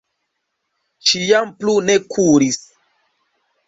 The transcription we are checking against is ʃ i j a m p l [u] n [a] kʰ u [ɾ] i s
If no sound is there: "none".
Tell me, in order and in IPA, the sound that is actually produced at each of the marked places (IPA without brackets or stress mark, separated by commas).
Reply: u, e, ɾ